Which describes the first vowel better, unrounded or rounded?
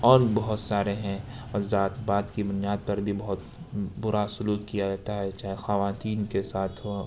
rounded